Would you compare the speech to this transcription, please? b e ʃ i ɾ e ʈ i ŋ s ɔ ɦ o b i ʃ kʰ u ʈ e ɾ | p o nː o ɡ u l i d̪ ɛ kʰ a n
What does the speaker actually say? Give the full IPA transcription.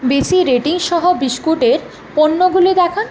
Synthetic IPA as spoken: b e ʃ i ɾ e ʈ i ŋ ʃ ɔ ɦ o b i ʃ k u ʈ e ɾ | p o nː o ɡ u l i d̪ ɛ kʰ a n